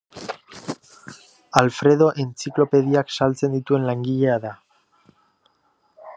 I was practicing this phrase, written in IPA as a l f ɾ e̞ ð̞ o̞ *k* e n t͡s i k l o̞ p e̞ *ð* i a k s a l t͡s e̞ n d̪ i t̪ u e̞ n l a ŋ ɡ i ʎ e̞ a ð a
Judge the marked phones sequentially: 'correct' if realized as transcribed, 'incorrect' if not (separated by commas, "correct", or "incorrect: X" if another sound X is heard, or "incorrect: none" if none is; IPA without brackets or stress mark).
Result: incorrect: ʔ, correct